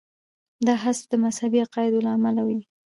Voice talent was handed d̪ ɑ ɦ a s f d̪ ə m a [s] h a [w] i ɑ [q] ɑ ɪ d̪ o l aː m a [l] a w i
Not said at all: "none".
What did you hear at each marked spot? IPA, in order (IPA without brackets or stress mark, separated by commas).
s, b, q, l